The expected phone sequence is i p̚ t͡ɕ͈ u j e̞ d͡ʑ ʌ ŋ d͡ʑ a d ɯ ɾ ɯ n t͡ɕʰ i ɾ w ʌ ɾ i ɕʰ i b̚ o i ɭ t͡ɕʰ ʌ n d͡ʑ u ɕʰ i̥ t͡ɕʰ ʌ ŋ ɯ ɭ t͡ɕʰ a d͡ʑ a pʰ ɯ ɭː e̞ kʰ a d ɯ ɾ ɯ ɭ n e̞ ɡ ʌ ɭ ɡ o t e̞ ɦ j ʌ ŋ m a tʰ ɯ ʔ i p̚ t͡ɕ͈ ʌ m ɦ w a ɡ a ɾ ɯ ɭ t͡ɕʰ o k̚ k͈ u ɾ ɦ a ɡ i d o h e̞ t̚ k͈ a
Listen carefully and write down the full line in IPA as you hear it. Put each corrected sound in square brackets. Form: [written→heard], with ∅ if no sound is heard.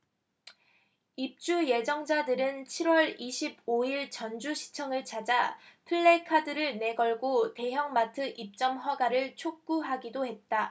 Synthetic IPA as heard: i p̚ t͡ɕ͈ u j e̞ d͡ʑ ʌ ŋ d͡ʑ a d ɯ ɾ ɯ n t͡ɕʰ i ɾ w ʌ ɾ i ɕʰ i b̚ o i ɭ [t͡ɕʰ→t͡ɕ] ʌ n d͡ʑ u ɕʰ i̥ t͡ɕʰ ʌ ŋ ɯ ɭ t͡ɕʰ a d͡ʑ a pʰ ɯ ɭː e̞ kʰ a d ɯ ɾ ɯ ɭ n e̞ ɡ ʌ ɭ ɡ o t e̞ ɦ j ʌ ŋ m a tʰ ɯ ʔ i p̚ t͡ɕ͈ ʌ m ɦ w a ɡ a ɾ ɯ ɭ t͡ɕʰ o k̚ k͈ u [ɾ→∅] ɦ a ɡ i d o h e̞ t̚ [k͈→t͈] a